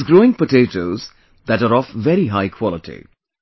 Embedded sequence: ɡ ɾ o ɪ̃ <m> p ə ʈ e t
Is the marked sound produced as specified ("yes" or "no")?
no